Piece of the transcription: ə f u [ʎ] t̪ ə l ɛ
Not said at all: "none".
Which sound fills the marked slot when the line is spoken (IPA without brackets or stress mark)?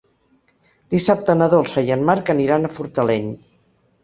ɾ